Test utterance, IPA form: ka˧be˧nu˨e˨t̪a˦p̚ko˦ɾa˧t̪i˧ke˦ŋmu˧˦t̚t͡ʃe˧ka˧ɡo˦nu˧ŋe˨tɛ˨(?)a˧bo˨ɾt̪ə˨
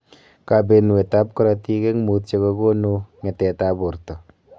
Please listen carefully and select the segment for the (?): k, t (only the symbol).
t